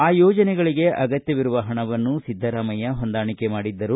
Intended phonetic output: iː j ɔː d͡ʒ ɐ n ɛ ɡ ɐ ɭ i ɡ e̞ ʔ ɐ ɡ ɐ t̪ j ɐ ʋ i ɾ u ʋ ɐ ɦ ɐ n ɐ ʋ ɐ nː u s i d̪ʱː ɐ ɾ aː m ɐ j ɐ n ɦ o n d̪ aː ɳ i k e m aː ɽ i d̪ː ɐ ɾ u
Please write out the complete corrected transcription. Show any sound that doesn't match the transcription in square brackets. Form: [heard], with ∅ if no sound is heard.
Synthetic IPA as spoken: [aː] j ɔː d͡ʒ ɐ n ɛ ɡ ɐ ɭ i ɡ e̞ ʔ ɐ ɡ ɐ t̪ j ɐ ʋ i ɾ u ʋ ɐ ɦ ɐ [ɳ] ɐ ʋ ɐ nː u s i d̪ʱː ɐ ɾ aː m ɐ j ɐ [∅] ɦ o n d̪ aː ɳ i k e m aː ɽ i d̪ː ɐ ɾ u